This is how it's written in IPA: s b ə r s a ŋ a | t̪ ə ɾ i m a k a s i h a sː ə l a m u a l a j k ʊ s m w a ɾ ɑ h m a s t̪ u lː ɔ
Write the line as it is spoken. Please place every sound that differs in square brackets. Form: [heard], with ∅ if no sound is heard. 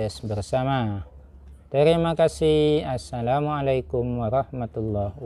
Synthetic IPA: s b ə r s a [m] a | t̪ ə ɾ i m a k a s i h a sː [a] l a m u a l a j k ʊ [∅] m w a ɾ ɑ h m a [∅] t̪ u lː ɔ